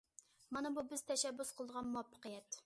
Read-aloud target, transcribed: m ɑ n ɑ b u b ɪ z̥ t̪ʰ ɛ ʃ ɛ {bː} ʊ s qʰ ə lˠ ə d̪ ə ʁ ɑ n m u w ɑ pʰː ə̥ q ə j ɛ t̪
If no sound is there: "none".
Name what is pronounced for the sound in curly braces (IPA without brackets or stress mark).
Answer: bː